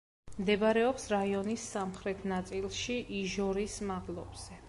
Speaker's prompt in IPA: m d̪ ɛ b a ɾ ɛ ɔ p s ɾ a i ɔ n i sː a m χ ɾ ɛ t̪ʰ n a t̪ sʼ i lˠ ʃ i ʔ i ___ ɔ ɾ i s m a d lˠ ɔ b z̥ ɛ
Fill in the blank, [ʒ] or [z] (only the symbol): ʒ